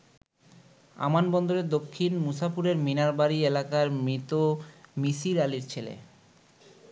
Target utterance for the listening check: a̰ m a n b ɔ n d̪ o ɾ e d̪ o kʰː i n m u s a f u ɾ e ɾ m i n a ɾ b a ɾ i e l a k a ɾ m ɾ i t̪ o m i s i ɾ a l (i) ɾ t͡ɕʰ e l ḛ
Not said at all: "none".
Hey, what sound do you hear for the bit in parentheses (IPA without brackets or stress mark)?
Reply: i